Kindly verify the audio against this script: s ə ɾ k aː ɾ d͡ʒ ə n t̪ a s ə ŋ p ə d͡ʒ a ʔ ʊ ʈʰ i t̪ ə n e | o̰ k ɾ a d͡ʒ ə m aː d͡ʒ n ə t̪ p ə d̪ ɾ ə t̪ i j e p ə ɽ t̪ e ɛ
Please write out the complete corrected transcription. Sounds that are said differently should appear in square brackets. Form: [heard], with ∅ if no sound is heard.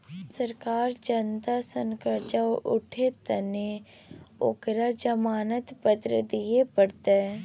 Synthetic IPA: s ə ɾ k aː ɾ d͡ʒ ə n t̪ a s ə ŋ [k] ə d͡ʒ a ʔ ʊ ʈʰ [e] t̪ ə n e | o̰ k ɾ a d͡ʒ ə m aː [∅] n ə t̪ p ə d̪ ɾ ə [d̪] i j e p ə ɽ t̪ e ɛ